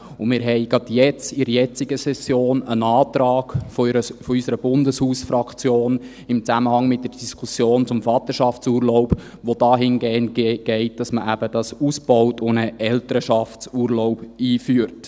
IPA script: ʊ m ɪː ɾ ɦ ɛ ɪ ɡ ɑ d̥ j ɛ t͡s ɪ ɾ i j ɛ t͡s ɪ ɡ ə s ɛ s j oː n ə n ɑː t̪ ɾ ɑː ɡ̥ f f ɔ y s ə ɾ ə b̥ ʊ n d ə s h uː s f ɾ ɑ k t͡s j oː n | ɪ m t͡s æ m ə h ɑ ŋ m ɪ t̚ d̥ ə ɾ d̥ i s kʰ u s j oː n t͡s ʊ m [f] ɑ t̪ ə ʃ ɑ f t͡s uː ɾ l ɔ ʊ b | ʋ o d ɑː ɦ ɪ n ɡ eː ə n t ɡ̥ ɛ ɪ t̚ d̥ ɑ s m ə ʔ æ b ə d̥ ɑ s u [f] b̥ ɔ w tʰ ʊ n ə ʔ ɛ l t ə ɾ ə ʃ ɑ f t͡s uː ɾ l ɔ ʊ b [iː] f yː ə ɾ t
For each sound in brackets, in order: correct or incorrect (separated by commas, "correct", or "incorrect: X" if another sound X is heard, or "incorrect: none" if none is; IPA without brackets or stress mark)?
correct, incorrect: s, correct